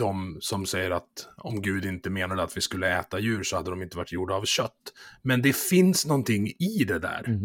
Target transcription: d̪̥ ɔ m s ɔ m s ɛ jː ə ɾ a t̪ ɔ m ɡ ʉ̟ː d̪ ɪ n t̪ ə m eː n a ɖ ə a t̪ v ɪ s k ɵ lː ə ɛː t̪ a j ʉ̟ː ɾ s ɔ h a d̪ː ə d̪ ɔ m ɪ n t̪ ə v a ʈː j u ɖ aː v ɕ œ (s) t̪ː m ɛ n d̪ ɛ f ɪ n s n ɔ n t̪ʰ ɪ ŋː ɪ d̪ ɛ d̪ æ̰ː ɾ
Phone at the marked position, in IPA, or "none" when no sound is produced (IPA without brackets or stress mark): none